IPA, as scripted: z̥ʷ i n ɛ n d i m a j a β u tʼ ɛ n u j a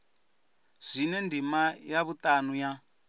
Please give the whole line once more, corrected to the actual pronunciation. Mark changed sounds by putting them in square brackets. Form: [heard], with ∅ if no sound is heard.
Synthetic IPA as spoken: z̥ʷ i n ɛ n d i m a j a β u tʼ [a] n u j a